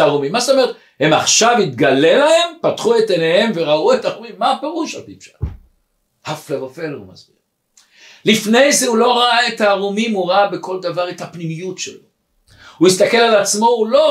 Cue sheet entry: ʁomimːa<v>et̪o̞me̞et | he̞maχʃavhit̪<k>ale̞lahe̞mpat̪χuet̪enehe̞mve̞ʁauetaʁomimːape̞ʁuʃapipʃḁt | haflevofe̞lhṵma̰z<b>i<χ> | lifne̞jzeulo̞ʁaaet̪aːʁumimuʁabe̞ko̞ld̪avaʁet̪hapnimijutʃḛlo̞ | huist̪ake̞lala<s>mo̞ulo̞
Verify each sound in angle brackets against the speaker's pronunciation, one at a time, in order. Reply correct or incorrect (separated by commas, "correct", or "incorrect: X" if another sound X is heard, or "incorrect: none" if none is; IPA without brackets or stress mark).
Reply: incorrect: z, incorrect: ɡ, correct, incorrect: ʁ, incorrect: t͡s